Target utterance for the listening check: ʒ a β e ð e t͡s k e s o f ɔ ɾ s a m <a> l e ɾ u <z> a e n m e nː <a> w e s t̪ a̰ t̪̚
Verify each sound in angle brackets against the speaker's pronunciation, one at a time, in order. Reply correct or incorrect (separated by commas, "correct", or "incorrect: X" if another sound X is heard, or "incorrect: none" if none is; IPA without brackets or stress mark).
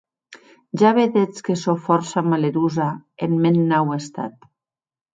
correct, correct, correct